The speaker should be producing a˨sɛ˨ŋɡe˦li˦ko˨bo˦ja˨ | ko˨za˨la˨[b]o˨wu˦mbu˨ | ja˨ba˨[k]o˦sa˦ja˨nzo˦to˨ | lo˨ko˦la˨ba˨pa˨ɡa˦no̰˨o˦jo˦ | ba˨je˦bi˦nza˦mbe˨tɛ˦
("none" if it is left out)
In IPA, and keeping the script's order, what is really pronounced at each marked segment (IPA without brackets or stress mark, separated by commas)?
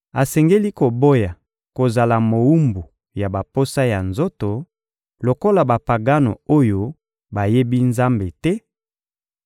m, p